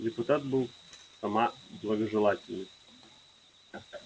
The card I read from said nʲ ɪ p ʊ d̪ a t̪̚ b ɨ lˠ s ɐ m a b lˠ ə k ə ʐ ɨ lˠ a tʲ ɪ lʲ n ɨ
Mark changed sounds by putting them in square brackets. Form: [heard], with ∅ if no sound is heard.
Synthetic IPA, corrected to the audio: [dʲ] ɪ p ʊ [t̪] a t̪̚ b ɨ lˠ s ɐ m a b lˠ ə [ɡ] ə ʐ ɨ lˠ a tʲ ɪ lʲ n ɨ